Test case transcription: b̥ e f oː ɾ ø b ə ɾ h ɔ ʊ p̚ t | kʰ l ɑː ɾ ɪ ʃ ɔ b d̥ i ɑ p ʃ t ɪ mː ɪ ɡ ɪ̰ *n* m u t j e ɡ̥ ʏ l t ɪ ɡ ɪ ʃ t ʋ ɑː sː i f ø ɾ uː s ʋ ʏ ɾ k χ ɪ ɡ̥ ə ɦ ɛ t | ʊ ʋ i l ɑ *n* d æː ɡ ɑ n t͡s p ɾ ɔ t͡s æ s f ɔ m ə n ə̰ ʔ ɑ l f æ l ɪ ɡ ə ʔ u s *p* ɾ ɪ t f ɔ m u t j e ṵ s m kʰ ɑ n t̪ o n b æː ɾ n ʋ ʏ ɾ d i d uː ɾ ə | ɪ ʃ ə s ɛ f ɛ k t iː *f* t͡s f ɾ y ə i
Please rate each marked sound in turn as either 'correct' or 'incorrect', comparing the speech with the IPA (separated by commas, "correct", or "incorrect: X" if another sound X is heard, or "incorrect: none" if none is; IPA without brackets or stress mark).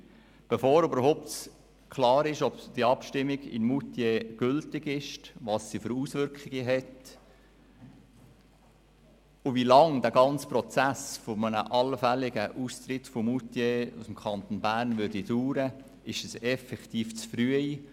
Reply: correct, incorrect: ŋ, incorrect: t, correct